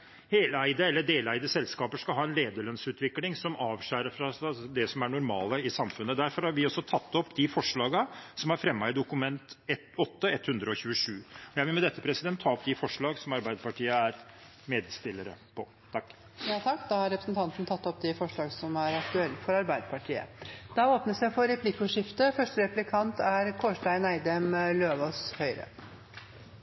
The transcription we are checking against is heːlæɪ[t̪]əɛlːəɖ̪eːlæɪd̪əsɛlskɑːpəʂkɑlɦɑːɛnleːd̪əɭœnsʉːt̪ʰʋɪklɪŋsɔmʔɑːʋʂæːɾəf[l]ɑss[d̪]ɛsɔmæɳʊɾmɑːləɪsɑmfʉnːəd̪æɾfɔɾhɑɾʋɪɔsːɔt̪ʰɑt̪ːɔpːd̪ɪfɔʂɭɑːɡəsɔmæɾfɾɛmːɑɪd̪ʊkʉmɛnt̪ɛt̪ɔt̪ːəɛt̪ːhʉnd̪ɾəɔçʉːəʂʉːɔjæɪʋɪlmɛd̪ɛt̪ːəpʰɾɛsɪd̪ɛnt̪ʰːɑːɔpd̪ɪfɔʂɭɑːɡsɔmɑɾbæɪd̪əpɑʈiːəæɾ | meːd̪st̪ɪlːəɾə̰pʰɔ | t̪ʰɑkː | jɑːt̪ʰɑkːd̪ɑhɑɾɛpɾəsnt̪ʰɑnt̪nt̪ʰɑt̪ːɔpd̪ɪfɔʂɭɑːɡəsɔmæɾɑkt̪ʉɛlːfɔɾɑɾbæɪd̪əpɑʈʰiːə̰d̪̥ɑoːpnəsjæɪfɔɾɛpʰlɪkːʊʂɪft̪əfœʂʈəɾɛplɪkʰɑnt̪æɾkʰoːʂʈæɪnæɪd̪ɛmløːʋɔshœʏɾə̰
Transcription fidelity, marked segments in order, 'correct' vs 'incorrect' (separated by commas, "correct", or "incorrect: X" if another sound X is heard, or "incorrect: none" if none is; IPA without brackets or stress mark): incorrect: d̪, incorrect: ɾ, correct